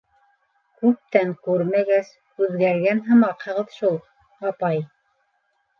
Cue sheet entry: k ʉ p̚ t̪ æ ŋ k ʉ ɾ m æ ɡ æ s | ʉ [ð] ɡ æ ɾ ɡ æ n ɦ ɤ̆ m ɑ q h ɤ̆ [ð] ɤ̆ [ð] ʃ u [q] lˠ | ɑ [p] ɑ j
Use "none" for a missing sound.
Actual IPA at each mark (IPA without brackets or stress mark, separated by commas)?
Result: ð, ʁ, ð, none, p